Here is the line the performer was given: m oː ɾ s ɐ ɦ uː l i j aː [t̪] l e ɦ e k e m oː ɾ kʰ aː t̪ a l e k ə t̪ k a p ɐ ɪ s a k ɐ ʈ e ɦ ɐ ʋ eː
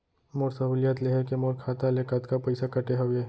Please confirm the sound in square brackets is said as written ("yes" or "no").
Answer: yes